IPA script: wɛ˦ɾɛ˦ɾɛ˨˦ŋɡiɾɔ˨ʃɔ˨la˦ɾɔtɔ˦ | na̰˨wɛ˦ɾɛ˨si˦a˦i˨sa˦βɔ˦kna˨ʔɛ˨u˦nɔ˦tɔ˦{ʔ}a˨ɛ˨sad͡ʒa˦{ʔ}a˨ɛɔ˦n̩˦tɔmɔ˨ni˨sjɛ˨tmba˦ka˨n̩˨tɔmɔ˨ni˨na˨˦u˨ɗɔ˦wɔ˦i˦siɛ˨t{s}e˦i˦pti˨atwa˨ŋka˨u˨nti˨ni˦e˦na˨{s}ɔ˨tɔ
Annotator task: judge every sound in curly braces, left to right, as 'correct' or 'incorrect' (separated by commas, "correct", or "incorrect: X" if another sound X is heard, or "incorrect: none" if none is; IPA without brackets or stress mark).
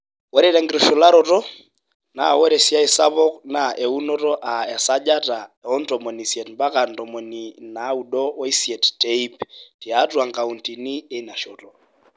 correct, incorrect: t, incorrect: t, incorrect: ʃ